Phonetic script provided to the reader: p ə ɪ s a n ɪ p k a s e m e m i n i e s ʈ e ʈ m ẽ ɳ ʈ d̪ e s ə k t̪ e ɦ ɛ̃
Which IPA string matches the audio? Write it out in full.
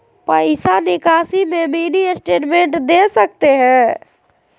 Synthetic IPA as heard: p ə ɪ s a n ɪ k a s i m e m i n i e s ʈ e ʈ m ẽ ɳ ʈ d̪ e s ə k t̪ e ɦ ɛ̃